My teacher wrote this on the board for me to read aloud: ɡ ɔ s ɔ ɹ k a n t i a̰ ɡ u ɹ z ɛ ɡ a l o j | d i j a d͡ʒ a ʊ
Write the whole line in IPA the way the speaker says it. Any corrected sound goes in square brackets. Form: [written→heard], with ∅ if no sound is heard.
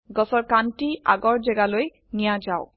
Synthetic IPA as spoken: ɡ ɔ s ɔ ɹ k a n t i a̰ ɡ [u→ɔ] ɹ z ɛ ɡ a l o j | [d→n] i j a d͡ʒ a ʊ